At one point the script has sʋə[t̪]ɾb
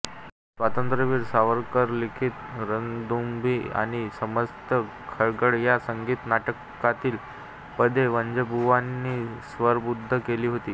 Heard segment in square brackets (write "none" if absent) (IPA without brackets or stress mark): none